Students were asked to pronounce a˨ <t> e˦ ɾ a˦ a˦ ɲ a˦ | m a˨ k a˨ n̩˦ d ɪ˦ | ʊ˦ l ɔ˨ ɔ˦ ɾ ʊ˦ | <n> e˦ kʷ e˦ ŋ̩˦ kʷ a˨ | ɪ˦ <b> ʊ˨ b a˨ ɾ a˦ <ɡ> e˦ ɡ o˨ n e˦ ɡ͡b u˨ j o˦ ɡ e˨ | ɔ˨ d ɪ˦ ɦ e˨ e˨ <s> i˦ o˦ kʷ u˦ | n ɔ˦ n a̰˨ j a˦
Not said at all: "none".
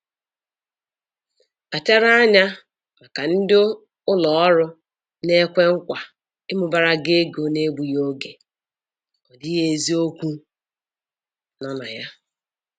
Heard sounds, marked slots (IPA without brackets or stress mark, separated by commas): t, n, m, ɡ, z